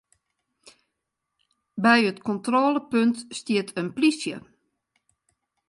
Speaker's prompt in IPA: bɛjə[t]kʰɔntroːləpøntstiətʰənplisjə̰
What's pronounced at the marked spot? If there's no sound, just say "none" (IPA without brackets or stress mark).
t